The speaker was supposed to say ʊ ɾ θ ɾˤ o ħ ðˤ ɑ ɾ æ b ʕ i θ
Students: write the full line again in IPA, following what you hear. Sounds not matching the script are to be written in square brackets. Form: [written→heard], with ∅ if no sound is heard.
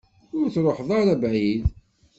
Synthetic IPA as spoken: ʊ ɾ θ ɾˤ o ħ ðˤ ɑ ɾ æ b ʕ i [θ→ð]